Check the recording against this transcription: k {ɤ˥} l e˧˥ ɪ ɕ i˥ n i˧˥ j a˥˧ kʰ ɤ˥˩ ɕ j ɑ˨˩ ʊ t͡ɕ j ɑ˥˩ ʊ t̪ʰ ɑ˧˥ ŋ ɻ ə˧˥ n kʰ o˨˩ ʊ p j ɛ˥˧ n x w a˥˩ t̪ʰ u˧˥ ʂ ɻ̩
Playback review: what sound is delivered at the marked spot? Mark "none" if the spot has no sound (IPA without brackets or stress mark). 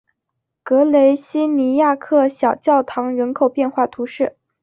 ɤ˧˥